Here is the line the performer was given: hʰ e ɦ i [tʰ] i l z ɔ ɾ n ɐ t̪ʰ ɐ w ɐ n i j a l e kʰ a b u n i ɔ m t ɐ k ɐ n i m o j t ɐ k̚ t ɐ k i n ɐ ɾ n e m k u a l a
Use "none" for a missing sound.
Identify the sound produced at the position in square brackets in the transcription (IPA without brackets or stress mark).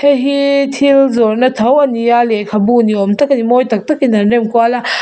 tʰ